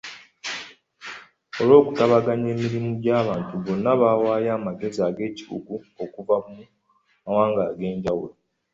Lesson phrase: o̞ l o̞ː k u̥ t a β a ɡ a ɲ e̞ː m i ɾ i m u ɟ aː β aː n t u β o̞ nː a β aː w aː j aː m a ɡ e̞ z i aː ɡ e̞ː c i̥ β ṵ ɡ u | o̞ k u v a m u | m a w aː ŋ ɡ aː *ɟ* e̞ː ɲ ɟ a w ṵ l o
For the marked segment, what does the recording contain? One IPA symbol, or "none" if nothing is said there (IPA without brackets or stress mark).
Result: ɡ